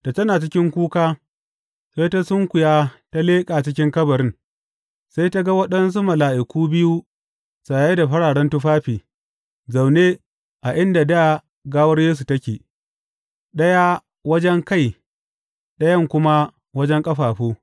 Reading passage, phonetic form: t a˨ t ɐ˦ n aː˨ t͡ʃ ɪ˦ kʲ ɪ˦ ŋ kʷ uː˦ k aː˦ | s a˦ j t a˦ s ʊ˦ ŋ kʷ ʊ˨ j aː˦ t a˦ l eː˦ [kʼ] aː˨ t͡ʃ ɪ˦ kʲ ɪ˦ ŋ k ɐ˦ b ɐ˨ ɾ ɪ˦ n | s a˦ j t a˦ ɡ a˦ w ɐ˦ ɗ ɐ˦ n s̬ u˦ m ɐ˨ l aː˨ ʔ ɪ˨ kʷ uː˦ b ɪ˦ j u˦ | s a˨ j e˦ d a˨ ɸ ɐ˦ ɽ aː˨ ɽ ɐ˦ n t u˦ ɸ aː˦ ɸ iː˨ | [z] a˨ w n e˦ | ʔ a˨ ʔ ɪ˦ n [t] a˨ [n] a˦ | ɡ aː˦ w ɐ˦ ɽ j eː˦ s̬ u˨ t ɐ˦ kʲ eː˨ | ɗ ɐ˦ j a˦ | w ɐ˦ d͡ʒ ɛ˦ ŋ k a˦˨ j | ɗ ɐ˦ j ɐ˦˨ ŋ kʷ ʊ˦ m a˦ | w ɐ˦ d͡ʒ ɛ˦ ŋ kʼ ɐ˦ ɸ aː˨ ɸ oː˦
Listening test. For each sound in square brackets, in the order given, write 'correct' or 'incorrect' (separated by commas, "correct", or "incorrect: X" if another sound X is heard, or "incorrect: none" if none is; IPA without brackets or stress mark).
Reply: correct, correct, incorrect: d, incorrect: d